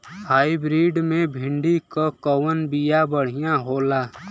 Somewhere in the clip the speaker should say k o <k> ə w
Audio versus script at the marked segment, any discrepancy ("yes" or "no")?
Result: no